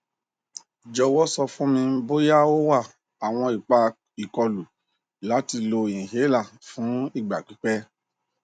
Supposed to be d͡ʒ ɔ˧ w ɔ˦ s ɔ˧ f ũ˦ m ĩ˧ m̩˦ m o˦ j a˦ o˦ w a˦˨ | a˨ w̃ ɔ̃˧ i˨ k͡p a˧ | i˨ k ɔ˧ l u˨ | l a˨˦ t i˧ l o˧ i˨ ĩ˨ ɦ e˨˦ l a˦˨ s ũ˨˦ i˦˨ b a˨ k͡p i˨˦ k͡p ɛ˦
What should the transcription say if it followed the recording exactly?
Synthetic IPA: d͡ʒ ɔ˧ w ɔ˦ s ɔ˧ f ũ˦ m ĩ˧ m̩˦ b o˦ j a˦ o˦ w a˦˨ | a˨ w̃ ɔ̃˧ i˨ k͡p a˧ | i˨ k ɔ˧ l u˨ | l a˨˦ t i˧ l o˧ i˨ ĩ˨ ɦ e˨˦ l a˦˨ f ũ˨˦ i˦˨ ɡ͡b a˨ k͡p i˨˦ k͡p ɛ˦